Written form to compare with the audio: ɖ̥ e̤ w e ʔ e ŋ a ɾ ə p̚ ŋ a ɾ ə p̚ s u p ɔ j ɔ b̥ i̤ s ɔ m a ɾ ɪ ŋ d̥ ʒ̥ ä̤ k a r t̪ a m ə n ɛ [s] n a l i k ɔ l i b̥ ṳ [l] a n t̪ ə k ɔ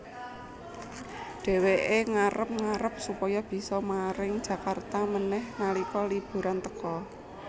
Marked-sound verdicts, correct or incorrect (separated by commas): incorrect, incorrect